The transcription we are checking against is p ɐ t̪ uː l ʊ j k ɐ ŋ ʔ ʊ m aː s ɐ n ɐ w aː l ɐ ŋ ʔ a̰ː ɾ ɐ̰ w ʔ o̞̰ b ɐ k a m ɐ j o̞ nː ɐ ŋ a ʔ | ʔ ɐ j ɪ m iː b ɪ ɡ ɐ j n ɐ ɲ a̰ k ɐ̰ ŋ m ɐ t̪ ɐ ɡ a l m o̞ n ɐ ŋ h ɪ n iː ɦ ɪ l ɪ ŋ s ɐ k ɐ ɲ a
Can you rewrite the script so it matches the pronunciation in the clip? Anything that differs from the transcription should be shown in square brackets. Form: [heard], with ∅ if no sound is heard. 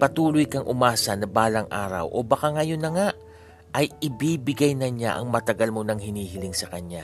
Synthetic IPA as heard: p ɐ t̪ uː l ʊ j k ɐ ŋ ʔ ʊ m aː s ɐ n ɐ [b] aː l ɐ ŋ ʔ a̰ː ɾ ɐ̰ w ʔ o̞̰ b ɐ k a [ŋ] ɐ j o̞ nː ɐ ŋ a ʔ | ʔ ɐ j ɪ [b] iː b ɪ ɡ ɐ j n ɐ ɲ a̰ [ʔ] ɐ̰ ŋ m ɐ t̪ ɐ ɡ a l m o̞ n ɐ ŋ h ɪ n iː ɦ ɪ l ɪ ŋ s ɐ k ɐ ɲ a